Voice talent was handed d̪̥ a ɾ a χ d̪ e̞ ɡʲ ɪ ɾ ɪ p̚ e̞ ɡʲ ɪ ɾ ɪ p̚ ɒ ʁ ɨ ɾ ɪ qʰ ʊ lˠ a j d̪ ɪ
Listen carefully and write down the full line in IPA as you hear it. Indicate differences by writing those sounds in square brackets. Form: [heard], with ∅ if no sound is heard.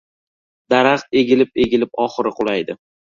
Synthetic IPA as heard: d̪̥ a ɾ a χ [t̪] e̞ ɡʲ ɪ [l] ɪ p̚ e̞ ɡʲ ɪ [l] ɪ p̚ ɒ [χ] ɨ ɾ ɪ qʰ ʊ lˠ a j d̪ ɪ